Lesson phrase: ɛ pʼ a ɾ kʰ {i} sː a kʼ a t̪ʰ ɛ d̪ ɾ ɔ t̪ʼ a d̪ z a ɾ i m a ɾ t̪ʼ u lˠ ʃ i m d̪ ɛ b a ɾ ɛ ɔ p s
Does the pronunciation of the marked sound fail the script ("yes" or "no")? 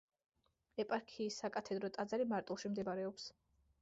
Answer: yes